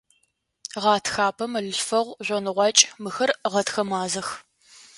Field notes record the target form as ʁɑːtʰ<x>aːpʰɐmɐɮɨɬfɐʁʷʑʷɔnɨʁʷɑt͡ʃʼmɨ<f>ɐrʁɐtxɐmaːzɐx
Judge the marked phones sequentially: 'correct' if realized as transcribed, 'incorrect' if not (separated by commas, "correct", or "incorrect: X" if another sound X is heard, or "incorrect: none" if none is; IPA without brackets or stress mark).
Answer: correct, incorrect: x